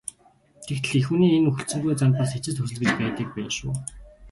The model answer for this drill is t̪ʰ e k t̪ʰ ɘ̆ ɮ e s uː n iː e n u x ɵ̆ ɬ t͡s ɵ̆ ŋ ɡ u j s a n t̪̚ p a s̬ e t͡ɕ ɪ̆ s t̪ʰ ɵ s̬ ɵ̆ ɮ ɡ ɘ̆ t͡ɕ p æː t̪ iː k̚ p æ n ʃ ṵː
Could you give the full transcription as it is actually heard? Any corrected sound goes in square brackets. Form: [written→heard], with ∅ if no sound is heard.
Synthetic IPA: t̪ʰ e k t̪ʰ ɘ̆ ɮ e [s→x] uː n iː e n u x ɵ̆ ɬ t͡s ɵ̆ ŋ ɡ u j [s→t͡s] a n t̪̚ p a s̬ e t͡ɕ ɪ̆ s t̪ʰ ɵ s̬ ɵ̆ ɮ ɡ ɘ̆ t͡ɕ p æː t̪ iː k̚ p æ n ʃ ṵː